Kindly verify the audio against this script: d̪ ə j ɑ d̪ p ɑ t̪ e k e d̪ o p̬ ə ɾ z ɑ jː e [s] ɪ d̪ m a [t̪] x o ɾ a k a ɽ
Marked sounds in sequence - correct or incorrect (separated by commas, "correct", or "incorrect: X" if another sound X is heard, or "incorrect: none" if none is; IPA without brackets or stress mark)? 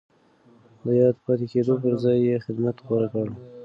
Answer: incorrect: x, correct